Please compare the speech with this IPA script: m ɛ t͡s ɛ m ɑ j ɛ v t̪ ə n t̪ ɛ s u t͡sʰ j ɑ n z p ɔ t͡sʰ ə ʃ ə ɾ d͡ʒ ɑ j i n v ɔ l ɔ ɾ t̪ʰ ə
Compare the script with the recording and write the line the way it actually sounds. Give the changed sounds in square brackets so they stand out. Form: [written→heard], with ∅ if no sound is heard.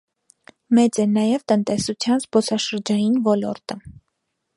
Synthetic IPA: m ɛ t͡s ɛ [m→n] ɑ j ɛ v t̪ ə n t̪ ɛ s u t͡sʰ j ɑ n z p ɔ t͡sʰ [ə→ɑ] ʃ ə ɾ d͡ʒ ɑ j i n v ɔ l ɔ ɾ [t̪ʰ→t̪] ə